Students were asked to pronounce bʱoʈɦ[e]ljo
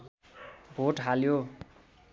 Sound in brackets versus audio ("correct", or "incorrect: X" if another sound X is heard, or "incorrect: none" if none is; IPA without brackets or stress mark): incorrect: a